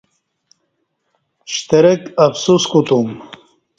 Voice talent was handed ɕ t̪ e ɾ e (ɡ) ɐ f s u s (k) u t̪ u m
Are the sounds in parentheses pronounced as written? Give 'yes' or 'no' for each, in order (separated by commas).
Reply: no, yes